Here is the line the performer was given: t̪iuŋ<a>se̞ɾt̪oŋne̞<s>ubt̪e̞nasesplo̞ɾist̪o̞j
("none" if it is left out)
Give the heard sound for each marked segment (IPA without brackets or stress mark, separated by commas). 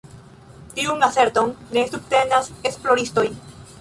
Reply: a, s